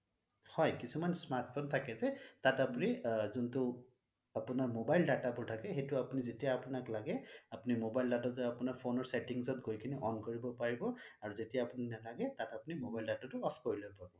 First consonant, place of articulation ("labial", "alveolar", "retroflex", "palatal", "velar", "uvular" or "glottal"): glottal